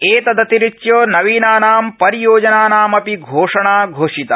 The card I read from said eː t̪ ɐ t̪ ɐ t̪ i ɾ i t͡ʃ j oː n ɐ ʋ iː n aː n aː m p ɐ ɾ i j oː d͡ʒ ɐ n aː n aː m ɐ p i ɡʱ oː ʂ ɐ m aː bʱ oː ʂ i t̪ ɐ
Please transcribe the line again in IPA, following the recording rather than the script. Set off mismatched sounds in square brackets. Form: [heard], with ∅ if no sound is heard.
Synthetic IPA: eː t̪ ɐ [d̪] ɐ t̪ i ɾ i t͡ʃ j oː n ɐ ʋ iː n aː n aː m p ɐ ɾ i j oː d͡ʒ ɐ n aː n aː m ɐ p i ɡʱ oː ʂ ɐ [ɳ] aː [ɡʱ] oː ʂ i t̪ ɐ